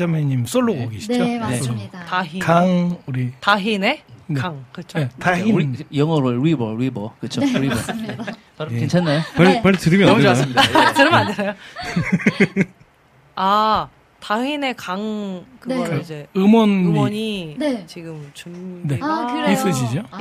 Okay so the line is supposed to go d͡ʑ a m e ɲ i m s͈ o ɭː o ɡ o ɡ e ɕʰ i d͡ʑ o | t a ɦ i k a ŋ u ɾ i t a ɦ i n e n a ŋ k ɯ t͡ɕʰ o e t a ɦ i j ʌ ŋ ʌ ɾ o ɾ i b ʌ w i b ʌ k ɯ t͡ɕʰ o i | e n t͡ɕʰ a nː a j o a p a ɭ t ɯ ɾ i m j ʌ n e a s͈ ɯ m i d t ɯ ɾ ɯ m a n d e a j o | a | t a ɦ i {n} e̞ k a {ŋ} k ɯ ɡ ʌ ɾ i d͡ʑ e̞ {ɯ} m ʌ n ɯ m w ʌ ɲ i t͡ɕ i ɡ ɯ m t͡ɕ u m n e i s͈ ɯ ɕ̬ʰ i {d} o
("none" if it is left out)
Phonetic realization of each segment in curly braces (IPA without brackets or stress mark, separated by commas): n, ŋ, ɯ, d͡ʑ